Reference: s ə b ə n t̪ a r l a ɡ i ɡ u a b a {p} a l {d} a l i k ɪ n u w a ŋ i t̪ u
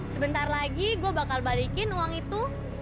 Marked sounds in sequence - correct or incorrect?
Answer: incorrect, incorrect

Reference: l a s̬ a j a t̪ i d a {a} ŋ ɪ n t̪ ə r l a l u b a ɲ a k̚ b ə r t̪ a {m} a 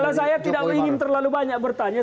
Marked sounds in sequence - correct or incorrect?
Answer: incorrect, incorrect

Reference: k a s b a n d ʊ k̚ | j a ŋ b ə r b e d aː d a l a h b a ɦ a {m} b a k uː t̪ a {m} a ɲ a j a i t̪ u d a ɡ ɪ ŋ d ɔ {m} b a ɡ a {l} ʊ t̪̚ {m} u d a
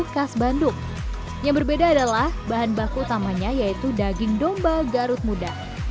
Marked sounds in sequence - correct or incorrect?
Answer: incorrect, correct, correct, incorrect, correct

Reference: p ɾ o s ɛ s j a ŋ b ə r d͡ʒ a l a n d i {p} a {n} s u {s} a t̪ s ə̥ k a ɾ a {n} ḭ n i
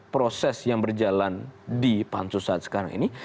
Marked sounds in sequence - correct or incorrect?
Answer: correct, correct, correct, incorrect

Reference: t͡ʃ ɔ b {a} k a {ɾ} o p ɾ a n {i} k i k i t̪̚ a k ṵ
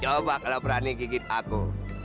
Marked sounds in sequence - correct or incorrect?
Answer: correct, incorrect, correct

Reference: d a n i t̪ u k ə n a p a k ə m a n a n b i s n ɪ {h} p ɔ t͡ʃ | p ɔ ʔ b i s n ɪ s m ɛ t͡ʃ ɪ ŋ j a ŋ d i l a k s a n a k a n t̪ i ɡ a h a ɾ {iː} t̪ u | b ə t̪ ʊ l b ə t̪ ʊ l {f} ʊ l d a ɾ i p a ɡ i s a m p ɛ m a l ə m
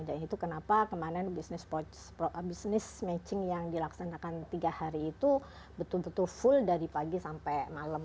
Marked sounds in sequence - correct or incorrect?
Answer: incorrect, correct, correct

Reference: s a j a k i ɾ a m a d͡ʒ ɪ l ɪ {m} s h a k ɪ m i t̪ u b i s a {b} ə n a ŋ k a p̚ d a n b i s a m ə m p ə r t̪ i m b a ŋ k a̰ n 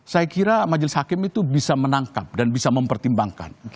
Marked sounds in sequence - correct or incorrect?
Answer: incorrect, incorrect

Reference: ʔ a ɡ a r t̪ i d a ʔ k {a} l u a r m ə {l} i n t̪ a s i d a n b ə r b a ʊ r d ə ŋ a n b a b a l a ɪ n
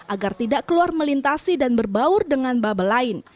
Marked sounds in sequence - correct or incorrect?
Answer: incorrect, correct

